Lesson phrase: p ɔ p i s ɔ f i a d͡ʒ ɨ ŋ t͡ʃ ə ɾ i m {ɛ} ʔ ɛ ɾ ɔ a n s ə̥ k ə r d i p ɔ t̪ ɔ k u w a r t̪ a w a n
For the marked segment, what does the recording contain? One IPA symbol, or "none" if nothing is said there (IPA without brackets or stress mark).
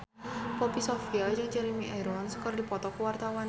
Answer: i